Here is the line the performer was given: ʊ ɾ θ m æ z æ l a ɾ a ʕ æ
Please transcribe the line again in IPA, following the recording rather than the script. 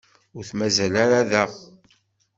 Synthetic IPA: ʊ ɾ θ m æ z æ l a ɾ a ð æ